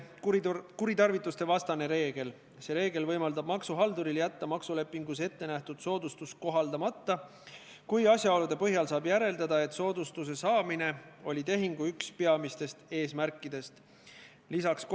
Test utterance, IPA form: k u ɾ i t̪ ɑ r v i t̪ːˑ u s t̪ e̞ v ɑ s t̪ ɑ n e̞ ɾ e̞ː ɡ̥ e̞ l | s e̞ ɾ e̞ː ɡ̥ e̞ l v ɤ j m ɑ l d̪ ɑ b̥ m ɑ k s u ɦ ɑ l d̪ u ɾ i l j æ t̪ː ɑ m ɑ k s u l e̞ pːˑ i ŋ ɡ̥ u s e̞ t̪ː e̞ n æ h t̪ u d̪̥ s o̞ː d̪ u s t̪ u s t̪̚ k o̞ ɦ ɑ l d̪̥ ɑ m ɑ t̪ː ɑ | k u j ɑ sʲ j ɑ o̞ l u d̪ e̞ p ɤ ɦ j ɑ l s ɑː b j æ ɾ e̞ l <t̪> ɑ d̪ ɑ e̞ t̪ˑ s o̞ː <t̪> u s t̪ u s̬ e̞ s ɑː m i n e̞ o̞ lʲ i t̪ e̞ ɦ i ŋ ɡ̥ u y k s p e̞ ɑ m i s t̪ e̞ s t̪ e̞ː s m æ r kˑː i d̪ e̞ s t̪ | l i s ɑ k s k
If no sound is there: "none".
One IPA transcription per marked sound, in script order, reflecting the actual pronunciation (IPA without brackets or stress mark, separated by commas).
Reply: d̪, d̪